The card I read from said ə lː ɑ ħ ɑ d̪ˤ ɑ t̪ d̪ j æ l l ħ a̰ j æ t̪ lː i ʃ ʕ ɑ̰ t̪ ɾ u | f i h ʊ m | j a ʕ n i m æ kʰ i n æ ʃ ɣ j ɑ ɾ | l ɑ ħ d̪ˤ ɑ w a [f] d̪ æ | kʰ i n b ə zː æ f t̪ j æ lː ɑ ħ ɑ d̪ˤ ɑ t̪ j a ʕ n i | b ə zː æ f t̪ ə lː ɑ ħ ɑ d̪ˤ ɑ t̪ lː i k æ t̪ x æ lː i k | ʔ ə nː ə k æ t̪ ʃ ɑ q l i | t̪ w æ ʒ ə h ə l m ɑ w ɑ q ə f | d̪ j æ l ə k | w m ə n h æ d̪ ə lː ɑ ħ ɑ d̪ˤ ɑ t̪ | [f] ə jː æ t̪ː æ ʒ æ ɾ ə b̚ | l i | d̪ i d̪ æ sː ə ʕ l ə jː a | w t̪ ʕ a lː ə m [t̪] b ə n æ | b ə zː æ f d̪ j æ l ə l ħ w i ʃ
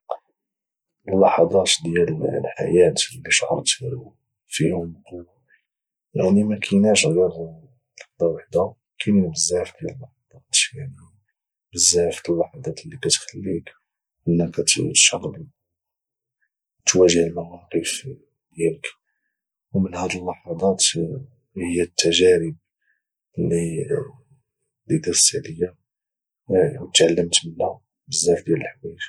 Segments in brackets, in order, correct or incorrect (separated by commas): incorrect, incorrect, correct